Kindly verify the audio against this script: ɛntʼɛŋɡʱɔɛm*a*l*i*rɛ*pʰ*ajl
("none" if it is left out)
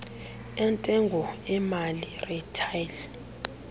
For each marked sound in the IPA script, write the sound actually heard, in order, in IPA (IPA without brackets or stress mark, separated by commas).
a, i, tʰ